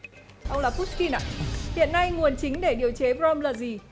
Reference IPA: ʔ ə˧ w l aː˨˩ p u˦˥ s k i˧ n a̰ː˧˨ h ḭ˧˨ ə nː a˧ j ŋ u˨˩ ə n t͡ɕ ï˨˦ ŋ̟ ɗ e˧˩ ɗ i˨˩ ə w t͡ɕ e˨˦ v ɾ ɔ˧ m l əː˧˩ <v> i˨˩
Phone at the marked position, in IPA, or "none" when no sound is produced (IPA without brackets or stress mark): z